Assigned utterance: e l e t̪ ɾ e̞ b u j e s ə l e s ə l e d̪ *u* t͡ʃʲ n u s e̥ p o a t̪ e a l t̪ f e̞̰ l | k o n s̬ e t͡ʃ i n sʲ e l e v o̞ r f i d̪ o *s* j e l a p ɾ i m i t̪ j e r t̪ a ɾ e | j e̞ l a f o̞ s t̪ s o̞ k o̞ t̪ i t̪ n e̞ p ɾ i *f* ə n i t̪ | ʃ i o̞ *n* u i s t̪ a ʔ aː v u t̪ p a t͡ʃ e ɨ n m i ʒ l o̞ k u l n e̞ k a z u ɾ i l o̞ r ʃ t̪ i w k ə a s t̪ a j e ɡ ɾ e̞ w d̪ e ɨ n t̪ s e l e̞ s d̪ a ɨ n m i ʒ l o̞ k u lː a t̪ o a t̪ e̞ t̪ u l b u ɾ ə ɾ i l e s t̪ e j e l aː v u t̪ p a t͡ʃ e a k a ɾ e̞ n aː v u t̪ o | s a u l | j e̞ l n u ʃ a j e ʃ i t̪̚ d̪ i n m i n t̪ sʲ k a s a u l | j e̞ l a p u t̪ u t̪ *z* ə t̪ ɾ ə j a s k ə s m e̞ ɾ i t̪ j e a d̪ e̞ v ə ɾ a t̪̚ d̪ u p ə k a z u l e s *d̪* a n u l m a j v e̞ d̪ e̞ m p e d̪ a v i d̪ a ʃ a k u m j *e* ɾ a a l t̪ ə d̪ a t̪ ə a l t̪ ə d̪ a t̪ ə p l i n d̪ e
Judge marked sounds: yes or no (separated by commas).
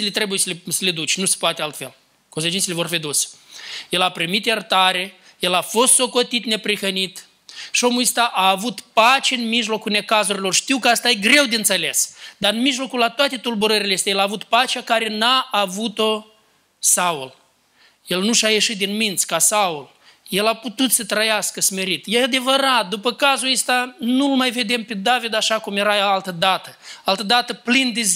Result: yes, yes, no, no, no, no, yes